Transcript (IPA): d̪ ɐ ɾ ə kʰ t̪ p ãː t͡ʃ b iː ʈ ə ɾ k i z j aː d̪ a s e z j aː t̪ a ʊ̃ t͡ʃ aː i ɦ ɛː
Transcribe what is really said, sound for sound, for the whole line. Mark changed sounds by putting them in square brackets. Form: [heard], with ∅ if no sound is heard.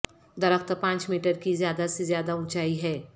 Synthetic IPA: d̪ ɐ ɾ ə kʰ t̪ p ãː t͡ʃ [m] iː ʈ ə ɾ k i z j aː d̪ a s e z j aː [d̪] a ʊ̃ t͡ʃ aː i ɦ ɛː